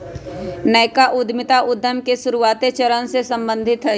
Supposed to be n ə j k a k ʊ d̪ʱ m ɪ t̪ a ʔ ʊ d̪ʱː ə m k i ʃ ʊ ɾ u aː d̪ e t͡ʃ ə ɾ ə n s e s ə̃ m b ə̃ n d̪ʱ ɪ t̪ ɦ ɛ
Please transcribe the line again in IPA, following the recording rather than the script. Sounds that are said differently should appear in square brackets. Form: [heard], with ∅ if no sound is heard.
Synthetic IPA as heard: n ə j k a [ʔ] ʊ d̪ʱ m ɪ t̪ a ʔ ʊ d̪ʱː ə m k [e] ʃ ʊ ɾ u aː [t̪] e t͡ʃ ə ɾ ə n s e s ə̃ m b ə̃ n d̪ʱ ɪ t̪ ɦ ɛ